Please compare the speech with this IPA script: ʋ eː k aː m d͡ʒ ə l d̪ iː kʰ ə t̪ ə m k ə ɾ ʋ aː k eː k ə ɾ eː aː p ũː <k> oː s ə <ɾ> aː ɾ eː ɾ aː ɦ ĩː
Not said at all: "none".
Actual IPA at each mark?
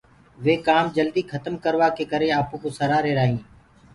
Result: k, ɾ

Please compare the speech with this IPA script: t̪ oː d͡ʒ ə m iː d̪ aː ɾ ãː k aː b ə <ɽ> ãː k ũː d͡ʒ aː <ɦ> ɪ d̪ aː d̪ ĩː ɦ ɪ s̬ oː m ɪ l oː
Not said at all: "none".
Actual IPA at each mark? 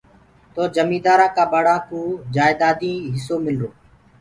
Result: ɽ, none

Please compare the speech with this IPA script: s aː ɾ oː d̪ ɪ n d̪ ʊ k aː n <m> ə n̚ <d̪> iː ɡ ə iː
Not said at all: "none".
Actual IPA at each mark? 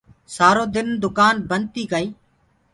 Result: b, t̪

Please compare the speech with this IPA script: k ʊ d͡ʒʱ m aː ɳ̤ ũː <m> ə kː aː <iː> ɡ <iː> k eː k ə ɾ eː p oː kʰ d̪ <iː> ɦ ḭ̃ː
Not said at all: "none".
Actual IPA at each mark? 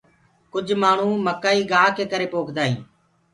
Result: m, iː, aː, aː

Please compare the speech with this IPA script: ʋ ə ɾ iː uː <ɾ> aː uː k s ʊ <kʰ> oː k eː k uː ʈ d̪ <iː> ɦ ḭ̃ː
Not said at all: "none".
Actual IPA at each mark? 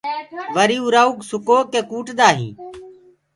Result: ɾ, k, aː

